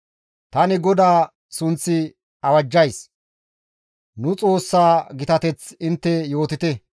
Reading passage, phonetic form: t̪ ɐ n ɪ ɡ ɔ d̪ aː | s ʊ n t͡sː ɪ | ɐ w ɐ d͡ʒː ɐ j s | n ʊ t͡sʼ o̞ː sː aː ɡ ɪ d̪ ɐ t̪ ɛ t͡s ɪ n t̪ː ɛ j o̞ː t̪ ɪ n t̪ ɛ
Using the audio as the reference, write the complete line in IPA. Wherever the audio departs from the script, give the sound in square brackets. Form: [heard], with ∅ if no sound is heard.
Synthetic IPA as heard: t̪ ɐ n ɪ ɡ ɔ d̪ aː | s ʊ n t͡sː ɪ | ɐ w ɐ d͡ʒː ɐ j s | n ʊ t͡sʼ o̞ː sː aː ɡ ɪ [t̪] ɐ t̪ ɛ t͡s ɪ n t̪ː ɛ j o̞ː t̪ ɪ [∅] t̪ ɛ